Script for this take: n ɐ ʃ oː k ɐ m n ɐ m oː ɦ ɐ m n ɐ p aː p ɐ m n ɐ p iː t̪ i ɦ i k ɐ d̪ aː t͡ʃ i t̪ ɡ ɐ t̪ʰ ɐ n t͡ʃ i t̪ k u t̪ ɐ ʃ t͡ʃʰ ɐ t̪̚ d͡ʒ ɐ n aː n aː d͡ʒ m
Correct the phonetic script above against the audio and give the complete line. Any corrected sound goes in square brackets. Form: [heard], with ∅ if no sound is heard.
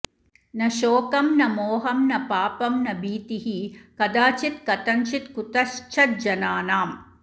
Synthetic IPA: n ɐ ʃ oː k ɐ m n ɐ m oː ɦ ɐ m n ɐ p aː p ɐ m n ɐ [b] iː t̪ i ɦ i k ɐ d̪ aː t͡ʃ i t̪ [k] ɐ [t̪] ɐ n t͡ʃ i t̪ k u t̪ ɐ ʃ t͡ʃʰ ɐ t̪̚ d͡ʒ ɐ n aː n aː [∅] m